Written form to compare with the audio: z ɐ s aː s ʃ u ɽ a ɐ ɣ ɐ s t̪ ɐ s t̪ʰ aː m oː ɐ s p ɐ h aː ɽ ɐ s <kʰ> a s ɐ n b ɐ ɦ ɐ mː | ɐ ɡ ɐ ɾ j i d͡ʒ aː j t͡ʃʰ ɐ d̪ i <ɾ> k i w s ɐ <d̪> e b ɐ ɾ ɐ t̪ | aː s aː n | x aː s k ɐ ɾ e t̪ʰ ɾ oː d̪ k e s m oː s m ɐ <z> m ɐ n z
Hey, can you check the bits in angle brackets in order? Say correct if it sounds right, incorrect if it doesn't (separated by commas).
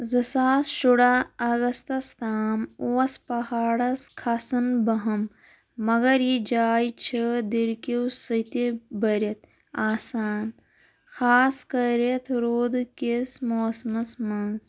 correct, correct, incorrect, incorrect